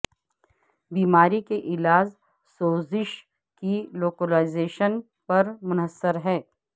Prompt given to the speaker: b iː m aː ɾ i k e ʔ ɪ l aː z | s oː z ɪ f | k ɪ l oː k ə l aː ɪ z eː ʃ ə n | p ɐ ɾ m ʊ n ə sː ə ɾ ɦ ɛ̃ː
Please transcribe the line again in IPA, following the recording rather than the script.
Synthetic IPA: b iː m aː ɾ i k e ʔ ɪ l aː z | s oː z ɪ ʃ | k i l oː k ə l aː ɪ z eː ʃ ə n | p ɐ ɾ m ʊ n ə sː ə ɾ ɦ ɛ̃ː

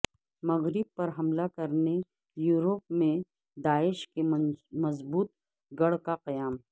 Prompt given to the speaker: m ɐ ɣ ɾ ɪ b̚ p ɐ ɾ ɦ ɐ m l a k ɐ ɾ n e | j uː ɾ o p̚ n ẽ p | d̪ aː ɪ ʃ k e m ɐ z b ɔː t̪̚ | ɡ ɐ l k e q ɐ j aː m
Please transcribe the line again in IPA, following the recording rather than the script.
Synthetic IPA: m ɐ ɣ ɾ ɪ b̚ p ɐ ɾ ɦ ɐ m l a k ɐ ɾ n e | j uː ɾ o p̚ m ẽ | d̪ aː ɪ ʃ k e m ɐ z b uː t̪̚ | ɡ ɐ ɽ k a q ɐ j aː m

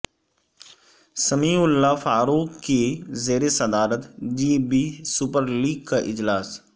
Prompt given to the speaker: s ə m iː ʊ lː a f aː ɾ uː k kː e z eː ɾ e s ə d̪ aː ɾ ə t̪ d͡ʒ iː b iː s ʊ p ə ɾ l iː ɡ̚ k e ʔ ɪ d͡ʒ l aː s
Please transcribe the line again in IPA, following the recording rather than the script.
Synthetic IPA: s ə m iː ʊ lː a f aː ɾ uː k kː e z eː ɾ e s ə d̪ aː ɾ ə t̪ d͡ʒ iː b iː s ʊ p ə ɾ l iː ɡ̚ k a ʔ ɪ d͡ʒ l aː s

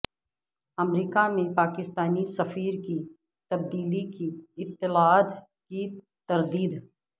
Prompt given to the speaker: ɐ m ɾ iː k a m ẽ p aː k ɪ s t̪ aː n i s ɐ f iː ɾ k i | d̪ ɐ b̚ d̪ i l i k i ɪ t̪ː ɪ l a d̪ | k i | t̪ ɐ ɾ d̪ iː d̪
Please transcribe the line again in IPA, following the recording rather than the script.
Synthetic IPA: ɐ m ɾ iː k a m ẽ p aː k ɪ s t̪ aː n i s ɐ f iː ɾ k i | t̪ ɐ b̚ d̪ iː l i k i ɪ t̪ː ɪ l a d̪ | k i | t̪ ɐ ɾ d̪ iː d̪

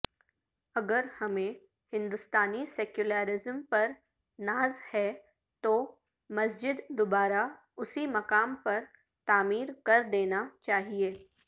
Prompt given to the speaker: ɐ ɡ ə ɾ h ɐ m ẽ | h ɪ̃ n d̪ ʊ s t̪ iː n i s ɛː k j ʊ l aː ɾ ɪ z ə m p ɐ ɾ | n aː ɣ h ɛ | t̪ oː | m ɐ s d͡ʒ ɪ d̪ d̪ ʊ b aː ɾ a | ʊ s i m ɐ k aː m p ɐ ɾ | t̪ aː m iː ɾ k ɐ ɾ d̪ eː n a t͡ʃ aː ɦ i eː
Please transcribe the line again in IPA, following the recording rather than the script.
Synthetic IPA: ɐ ɡ ə ɾ h ɐ m ẽ | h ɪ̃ n d̪ ʊ s t̪ aː n i s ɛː k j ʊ l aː ɾ ɪ z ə m p ɐ ɾ | n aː z h ɛ | t̪ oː | m ɐ s d͡ʒ ɪ d̪ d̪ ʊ b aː ɾ a | ʊ s i m ɐ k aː m p ɐ ɾ | t̪ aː m iː ɾ k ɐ ɾ d̪ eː n a t͡ʃ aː ɦ i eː

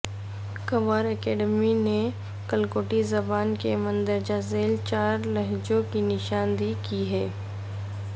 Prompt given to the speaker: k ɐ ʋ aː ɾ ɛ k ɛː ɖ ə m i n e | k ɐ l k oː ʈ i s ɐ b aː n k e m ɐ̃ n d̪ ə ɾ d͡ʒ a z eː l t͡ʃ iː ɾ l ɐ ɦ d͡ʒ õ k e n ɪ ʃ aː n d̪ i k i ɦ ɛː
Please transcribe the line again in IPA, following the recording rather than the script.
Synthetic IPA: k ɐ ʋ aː ɾ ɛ k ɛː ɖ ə m i n e | k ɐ l k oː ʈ i z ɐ b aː n k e m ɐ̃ n d̪ ə ɾ d͡ʒ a z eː l t͡ʃ aː ɾ l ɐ ɦ d͡ʒ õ k i n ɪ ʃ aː n d̪ i k i ɦ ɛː

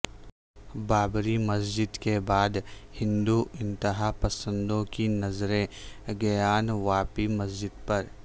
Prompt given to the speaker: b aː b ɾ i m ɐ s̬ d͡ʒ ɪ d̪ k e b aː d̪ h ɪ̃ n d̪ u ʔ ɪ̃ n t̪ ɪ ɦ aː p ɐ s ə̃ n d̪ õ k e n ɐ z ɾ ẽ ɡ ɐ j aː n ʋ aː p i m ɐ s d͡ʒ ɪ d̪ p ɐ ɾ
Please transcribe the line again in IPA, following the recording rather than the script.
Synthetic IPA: b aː b ɾ i m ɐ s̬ d͡ʒ ɪ d̪ k e b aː d̪ h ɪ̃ n d̪ u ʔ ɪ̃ n t̪ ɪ ɦ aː p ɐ s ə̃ n d̪ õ k i n ɐ z ɾ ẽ ɡ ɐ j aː n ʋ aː p i m ɐ s d͡ʒ ɪ d̪ p ɐ ɾ

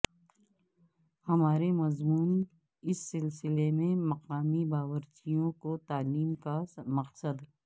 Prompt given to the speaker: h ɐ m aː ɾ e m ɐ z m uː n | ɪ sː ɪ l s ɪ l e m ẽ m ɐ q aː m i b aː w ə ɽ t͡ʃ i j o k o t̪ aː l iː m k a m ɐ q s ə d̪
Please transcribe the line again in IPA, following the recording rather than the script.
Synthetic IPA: h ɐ m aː ɾ e m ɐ z m uː n | ɪ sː ɪ l s ɪ l e m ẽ m ɐ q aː m i b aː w ə ɾ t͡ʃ i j õ k o t̪ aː l iː m k a m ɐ q s ə d̪

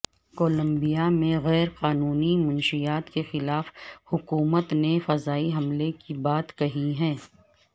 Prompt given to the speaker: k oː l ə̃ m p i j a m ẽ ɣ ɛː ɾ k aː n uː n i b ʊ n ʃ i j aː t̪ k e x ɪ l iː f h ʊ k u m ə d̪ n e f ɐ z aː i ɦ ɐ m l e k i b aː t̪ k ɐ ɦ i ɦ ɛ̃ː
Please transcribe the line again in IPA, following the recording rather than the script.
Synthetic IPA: k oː l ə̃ m b i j a m ẽ ɣ ɛː ɾ q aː n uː n i m ʊ n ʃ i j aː t̪ k e x ɪ l aː f h ʊ k uː m ə t̪ n e f ɐ z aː i ɦ ɐ m l e k i b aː t̪ k ɐ ɦ i ɦ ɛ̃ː

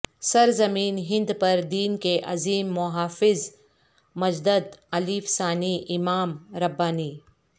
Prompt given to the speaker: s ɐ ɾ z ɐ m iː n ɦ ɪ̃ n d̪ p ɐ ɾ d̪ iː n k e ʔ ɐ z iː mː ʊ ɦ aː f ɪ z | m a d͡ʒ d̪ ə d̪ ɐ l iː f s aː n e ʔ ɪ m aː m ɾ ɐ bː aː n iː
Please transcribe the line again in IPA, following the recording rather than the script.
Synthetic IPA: s ɐ ɾ z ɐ m iː n ɦ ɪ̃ n d̪ p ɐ ɾ d̪ iː n k e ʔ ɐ z iː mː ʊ ɦ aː f ɪ z | m ɐ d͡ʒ d̪ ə d̪ ɐ l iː f s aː n i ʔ ɪ m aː m ɾ ɐ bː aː n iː

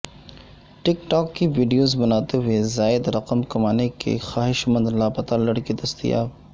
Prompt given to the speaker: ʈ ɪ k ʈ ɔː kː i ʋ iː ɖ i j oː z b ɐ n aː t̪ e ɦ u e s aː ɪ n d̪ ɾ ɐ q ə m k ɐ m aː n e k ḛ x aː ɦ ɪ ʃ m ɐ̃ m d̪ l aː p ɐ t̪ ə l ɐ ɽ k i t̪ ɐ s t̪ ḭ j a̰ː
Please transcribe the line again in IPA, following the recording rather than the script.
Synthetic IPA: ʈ ɪ k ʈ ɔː kː i ʋ iː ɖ i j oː z b ɐ n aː t̪ e ɦ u e z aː ɪ d̪ ɾ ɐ q ə m k ɐ m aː n e k ḛ x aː ɦ ɪ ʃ m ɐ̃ n d̪ l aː p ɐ t̪ a l ɐ ɽ k i d̪ ɐ s t̪ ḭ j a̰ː

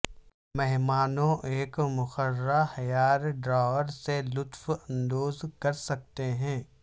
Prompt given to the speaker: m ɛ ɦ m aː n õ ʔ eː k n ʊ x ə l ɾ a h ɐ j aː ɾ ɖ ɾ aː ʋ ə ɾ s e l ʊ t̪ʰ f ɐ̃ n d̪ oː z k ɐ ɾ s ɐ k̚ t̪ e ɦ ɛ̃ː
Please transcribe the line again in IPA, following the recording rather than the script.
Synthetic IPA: m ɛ ɦ m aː n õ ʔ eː k m ʊ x ə ɾ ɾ a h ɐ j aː ɾ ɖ ɾ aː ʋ ə ɾ s e l ʊ t̪ f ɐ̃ n d̪ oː z k ɐ ɾ s ɐ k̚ t̪ e ɦ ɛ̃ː

